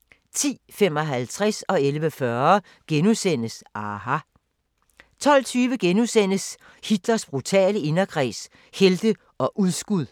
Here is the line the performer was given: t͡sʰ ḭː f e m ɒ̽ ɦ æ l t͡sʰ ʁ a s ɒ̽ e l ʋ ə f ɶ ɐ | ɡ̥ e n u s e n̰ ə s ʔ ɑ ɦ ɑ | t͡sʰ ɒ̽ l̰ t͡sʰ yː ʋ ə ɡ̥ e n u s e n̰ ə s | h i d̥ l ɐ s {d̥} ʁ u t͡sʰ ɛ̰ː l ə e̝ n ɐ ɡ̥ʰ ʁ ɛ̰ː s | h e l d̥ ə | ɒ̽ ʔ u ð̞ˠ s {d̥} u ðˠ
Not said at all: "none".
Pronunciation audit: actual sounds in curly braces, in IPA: b̥, ɡ̥

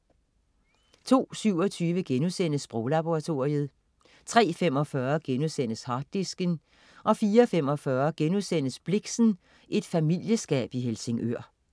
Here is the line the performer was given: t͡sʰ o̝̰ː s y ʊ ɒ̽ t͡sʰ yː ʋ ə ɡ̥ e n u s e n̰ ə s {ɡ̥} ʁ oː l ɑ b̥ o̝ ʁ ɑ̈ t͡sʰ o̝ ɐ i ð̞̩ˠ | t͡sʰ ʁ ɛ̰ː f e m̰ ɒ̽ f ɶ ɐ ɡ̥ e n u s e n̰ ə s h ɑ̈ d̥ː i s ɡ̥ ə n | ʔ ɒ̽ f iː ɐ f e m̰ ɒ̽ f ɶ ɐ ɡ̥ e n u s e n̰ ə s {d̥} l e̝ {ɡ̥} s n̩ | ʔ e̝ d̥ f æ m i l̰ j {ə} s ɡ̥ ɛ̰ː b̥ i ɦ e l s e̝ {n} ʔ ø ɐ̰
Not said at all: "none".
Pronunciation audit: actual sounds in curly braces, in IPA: b̥, b̥, ɡ̥, ə, ŋ

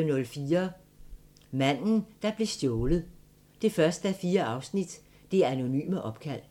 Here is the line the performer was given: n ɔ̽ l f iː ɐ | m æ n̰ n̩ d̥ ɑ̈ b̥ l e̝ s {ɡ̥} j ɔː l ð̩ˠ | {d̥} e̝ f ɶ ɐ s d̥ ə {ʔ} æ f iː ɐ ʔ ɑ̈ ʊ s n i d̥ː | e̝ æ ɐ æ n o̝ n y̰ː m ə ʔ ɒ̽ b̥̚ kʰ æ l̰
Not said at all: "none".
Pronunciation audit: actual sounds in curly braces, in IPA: d̥, d̥, none

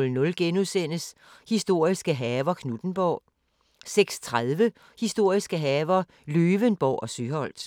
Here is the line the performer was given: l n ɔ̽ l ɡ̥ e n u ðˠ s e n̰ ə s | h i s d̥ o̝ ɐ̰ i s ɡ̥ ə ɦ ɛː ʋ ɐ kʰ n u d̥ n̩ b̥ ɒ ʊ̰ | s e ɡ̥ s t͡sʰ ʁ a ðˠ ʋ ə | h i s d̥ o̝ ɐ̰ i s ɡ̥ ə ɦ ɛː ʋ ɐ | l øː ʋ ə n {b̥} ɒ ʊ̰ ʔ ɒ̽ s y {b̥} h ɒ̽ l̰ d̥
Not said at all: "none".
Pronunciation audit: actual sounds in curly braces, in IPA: b̥, none

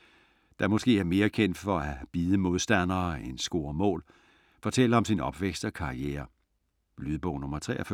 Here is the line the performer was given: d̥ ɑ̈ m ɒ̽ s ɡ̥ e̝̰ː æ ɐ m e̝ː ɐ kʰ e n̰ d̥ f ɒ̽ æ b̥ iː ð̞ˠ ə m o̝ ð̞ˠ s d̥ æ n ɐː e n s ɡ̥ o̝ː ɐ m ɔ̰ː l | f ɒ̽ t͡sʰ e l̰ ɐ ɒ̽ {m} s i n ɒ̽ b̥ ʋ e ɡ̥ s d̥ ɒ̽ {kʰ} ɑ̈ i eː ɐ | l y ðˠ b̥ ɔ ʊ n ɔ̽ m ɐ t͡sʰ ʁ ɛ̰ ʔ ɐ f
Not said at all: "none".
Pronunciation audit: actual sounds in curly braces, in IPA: m, kʰ

